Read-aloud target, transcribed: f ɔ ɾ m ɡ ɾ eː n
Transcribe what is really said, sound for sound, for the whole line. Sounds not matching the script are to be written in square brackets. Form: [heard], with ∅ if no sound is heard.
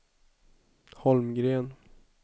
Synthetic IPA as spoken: [h] ɔ [l] m ɡ ɾ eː n